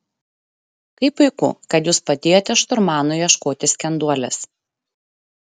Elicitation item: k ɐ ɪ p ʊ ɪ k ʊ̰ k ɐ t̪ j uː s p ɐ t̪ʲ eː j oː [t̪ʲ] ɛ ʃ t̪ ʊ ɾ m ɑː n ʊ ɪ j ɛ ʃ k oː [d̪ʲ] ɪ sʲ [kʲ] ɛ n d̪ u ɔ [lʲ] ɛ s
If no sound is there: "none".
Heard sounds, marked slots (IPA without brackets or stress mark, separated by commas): t̪ʲ, t̪ʲ, kʲ, lʲ